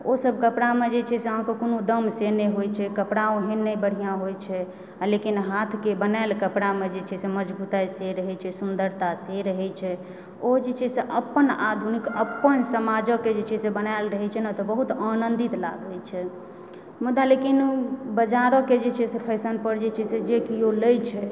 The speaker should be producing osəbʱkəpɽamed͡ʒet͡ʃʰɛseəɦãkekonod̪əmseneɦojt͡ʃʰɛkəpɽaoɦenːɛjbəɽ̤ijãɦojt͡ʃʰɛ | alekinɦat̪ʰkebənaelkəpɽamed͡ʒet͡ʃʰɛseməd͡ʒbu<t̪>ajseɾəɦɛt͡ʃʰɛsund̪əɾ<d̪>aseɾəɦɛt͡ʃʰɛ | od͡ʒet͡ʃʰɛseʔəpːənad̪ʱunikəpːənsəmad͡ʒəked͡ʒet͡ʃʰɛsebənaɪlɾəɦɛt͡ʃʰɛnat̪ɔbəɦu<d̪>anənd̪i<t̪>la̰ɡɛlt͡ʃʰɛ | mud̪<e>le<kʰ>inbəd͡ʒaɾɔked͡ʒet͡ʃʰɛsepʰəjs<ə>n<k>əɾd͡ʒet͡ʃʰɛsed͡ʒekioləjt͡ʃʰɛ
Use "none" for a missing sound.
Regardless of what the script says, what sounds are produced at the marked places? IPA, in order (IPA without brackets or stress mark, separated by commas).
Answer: t̪, t̪, t̪, t̪, a, k, ə, p